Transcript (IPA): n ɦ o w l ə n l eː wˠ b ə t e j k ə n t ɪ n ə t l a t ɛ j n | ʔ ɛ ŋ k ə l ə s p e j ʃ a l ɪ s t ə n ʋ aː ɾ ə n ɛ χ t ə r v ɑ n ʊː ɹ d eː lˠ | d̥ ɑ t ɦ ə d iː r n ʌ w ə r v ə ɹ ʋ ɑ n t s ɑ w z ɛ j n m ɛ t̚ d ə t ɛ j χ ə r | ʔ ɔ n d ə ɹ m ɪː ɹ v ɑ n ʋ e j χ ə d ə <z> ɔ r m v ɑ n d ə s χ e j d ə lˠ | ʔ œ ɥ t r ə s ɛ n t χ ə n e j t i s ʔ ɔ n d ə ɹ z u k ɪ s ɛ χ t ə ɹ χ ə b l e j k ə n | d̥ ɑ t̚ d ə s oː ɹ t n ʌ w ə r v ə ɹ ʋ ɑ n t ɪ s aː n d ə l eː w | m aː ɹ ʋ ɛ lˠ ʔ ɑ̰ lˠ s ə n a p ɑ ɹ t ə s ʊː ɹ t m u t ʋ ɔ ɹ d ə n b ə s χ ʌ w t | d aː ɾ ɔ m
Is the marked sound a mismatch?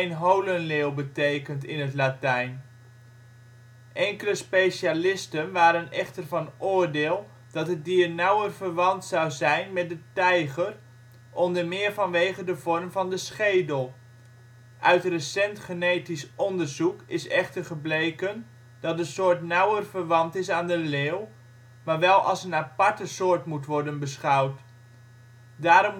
yes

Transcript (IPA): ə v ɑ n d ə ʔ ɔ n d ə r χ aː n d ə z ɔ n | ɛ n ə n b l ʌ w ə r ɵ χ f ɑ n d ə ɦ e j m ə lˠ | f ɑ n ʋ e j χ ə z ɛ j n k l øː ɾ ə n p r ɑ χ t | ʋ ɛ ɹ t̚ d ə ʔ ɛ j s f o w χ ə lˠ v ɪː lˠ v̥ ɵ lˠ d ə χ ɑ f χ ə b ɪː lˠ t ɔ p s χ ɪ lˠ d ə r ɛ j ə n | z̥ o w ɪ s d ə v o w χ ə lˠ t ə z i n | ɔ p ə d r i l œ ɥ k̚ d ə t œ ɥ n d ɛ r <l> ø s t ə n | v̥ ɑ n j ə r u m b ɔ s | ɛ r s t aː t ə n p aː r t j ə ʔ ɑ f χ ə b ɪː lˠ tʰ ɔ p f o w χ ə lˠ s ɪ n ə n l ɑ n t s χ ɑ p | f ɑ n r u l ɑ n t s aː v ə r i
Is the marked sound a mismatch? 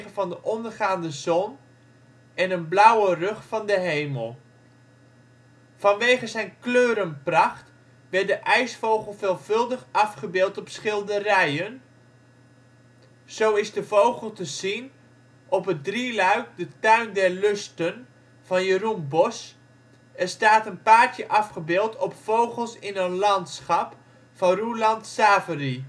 no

